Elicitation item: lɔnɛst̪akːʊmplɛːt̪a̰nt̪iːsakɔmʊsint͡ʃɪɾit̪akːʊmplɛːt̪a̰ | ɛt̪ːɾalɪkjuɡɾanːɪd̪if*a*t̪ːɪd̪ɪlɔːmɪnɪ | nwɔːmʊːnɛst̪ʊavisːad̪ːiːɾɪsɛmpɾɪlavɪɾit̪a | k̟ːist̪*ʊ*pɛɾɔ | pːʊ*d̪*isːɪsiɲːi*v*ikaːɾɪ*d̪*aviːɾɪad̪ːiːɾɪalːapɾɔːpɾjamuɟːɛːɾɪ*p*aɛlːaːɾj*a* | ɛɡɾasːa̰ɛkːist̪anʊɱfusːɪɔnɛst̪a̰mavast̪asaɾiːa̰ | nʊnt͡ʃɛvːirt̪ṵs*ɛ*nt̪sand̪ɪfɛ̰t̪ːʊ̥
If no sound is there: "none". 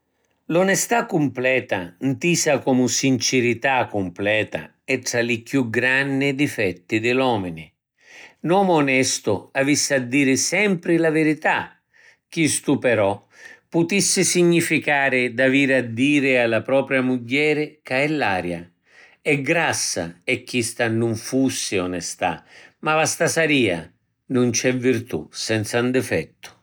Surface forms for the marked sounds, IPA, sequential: ɛ, u, t̪, f, d̪, k, a, ɛ

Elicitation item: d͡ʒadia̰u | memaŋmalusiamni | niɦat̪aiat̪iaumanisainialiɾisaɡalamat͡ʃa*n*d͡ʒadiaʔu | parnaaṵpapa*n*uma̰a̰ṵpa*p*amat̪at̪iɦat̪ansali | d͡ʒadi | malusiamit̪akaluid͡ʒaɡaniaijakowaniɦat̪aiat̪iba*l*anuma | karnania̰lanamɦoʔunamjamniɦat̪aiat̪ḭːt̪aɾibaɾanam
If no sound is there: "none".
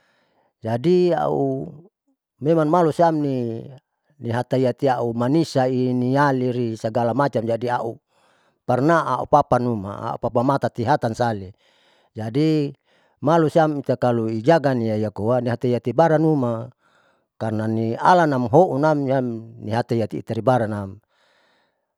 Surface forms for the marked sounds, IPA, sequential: m, n, p, ɾ

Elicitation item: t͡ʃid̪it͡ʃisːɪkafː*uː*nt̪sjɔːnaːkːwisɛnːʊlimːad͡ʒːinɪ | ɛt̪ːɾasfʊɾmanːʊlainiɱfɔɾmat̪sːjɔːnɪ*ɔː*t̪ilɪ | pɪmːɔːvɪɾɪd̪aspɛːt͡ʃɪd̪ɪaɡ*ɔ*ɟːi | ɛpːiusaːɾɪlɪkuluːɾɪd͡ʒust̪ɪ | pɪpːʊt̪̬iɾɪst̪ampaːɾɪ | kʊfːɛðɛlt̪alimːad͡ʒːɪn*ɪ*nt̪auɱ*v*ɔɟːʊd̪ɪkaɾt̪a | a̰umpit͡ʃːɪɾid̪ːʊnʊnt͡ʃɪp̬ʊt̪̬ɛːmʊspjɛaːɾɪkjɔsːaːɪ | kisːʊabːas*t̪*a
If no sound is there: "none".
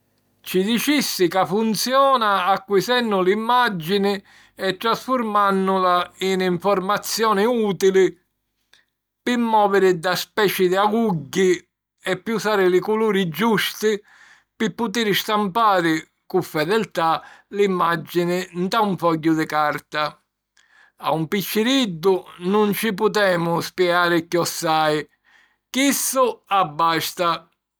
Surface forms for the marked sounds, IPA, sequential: u, uː, u, ɪ, f, t̪

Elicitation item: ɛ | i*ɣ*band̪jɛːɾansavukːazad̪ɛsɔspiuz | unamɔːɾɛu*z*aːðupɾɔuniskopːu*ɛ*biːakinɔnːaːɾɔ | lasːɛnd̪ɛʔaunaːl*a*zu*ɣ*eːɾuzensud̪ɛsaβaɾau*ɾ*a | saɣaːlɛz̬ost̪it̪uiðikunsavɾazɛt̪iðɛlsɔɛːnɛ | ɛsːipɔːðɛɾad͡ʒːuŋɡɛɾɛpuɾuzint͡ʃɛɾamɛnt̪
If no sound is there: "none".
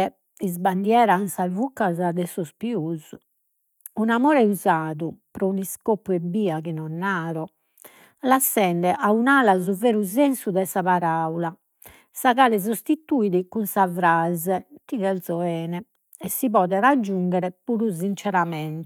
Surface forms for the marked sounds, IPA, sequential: z, z, ɛ, a, v, l

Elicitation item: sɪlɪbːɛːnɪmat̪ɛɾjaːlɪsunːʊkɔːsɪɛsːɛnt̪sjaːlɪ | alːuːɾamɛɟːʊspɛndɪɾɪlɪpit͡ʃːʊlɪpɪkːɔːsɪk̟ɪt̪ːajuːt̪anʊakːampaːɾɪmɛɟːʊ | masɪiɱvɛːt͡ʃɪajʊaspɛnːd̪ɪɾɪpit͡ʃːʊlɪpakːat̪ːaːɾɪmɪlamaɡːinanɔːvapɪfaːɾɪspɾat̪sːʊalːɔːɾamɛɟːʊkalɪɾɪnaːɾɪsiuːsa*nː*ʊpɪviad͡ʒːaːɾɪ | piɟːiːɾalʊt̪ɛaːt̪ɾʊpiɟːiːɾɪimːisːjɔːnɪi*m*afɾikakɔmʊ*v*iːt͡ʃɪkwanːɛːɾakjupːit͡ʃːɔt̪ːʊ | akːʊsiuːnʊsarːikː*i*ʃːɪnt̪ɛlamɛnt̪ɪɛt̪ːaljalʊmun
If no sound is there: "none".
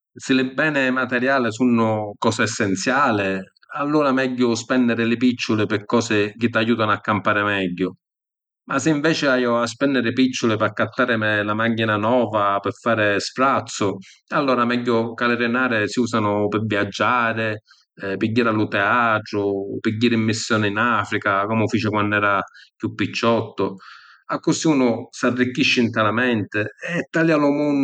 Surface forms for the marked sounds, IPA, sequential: n, n, f, i

